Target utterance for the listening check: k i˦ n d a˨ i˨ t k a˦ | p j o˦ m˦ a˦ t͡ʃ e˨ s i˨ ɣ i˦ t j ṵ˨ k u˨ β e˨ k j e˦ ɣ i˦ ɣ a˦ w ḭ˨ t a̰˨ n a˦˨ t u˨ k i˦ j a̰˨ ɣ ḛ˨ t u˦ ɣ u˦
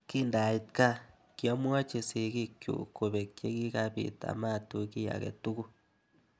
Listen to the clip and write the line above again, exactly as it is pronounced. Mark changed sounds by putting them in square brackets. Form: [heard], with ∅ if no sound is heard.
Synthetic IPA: k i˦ n d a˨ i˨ t k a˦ | [k] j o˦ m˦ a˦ t͡ʃ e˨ s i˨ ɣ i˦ [k] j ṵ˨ k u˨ β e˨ k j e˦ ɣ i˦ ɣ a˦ [β] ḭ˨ t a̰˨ [m] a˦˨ t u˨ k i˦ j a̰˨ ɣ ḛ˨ t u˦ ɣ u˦